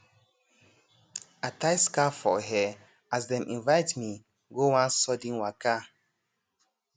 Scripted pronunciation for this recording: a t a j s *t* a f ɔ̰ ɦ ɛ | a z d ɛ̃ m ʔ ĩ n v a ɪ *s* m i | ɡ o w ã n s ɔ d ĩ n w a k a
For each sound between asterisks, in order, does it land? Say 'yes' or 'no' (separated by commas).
no, no